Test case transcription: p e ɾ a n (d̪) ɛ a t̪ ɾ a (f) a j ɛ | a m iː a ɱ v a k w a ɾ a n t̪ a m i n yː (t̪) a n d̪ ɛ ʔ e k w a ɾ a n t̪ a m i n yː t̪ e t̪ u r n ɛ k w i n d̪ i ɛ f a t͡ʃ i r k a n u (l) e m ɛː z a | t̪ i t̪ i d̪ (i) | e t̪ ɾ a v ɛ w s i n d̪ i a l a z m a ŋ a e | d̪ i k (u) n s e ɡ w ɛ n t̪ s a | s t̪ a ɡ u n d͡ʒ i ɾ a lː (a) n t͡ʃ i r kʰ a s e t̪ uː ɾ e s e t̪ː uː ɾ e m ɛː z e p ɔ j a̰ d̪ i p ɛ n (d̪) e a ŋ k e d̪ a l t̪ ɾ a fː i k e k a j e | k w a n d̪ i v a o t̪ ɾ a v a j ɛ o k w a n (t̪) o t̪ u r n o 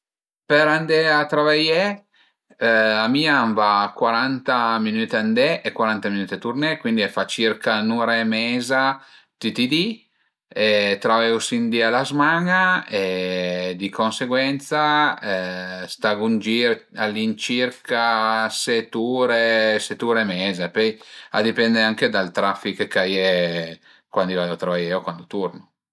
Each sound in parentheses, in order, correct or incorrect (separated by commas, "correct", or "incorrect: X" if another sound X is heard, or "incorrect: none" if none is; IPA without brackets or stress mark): correct, incorrect: v, correct, incorrect: ɾ, correct, incorrect: o, incorrect: i, correct, incorrect: d̪